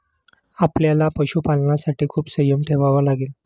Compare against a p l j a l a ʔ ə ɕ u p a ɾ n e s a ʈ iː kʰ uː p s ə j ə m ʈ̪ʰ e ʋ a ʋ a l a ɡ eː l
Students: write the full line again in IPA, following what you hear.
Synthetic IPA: a p l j a l a p ə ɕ u p a l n a s a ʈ iː kʰ uː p s ə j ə m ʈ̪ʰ e ʋ a ʋ a l a ɡ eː l